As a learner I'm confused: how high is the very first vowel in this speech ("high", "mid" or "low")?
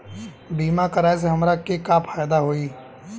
high